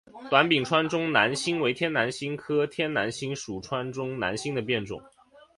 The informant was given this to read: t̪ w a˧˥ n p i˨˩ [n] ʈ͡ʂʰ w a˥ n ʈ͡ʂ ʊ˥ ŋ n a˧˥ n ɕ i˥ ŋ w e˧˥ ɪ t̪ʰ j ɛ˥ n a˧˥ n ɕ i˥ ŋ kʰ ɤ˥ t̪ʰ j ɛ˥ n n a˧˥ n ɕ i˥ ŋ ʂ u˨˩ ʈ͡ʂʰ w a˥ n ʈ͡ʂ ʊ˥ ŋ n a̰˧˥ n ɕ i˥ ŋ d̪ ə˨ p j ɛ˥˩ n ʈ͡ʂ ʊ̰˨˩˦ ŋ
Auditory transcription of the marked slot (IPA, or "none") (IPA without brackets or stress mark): ŋ